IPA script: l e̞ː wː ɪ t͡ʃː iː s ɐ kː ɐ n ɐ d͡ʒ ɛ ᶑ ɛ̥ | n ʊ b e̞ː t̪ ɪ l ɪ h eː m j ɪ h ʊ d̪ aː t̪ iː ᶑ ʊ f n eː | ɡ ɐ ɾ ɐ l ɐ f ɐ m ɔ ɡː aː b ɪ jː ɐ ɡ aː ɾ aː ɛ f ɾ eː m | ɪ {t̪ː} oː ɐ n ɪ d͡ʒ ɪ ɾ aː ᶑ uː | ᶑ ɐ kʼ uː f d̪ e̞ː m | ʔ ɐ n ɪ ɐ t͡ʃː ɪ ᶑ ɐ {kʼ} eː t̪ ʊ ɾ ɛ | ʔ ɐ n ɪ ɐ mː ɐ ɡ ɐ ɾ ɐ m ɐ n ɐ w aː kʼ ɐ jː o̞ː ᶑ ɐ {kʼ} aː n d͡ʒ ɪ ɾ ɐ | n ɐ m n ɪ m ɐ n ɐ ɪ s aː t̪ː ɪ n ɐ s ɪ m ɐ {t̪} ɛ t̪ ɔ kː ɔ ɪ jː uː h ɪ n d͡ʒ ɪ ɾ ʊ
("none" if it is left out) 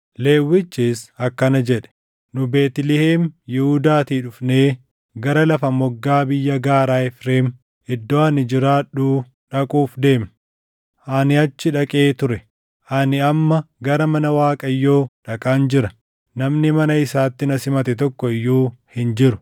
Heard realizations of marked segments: d̪ː, kʼ, kʼ, t̪

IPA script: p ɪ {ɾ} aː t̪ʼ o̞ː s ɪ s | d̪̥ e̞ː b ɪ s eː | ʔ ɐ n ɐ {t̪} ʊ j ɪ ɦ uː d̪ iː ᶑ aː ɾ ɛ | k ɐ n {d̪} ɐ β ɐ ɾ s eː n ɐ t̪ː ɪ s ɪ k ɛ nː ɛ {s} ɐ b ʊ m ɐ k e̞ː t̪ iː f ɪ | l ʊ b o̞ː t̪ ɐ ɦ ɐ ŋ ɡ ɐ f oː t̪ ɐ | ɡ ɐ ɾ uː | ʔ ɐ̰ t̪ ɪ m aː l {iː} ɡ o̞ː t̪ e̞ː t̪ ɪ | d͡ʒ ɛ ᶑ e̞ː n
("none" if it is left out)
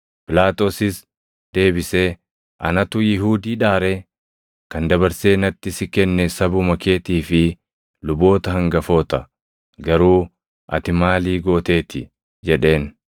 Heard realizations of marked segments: l, t̪, d̪, s, iː

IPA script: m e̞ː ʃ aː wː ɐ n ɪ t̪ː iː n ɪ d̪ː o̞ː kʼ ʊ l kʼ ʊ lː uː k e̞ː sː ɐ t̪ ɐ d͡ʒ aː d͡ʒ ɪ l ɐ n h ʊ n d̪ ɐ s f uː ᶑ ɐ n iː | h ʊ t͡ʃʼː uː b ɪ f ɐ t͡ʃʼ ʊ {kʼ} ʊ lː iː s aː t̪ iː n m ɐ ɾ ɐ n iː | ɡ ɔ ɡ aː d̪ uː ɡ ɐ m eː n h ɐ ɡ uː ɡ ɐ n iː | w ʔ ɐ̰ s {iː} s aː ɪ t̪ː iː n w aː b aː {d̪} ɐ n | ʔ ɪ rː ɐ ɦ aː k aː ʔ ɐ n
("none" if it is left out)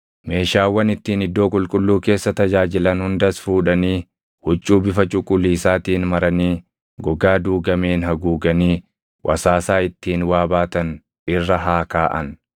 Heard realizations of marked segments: kʼ, aː, t̪

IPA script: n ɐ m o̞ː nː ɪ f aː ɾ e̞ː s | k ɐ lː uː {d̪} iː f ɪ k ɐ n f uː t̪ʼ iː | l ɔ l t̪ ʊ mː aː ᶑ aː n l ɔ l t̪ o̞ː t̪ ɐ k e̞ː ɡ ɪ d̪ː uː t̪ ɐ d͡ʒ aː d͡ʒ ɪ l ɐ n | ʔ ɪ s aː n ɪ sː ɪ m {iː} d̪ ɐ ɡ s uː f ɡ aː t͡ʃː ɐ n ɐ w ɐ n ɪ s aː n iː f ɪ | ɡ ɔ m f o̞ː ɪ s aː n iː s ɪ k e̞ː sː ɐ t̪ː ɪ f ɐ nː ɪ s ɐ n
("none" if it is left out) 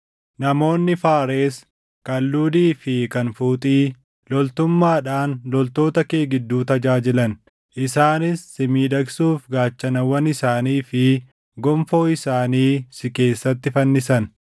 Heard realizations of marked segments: d̪, iː

